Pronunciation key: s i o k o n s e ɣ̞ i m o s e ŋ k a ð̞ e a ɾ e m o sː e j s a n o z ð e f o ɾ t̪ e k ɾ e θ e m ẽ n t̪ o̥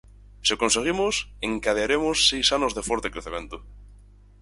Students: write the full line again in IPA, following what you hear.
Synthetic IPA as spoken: s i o k o n s e ɣ̞ i m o s e ŋ k a ð̞ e a ɾ e m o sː e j s a n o z ð e f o ɾ t̪ e k ɾ e θ e m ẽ n t̪ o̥